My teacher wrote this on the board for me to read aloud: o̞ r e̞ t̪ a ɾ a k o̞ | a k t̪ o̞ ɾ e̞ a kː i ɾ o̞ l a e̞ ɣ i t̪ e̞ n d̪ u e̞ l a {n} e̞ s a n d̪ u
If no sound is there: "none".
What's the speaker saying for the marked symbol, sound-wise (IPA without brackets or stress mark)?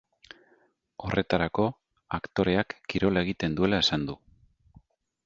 none